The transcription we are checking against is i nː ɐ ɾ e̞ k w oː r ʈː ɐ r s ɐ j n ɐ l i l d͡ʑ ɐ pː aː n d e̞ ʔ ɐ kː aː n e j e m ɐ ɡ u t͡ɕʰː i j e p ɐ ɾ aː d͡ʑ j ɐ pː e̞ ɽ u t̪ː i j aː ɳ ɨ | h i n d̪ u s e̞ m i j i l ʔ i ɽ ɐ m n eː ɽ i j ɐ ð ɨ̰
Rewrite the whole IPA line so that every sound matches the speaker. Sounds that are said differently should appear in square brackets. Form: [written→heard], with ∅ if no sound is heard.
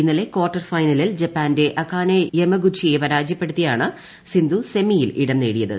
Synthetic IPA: i nː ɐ [ɾ→l] e̞ k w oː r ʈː ɐ r [s→f] ɐ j n ɐ l i l d͡ʑ ɐ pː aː n d e̞ ʔ ɐ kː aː n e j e m ɐ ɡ u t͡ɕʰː i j e p ɐ ɾ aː d͡ʑ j ɐ pː e̞ ɽ u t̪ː i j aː ɳ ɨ | [h→s] i n d̪ u s e̞ m i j i l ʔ i ɽ ɐ m n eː ɽ i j ɐ ð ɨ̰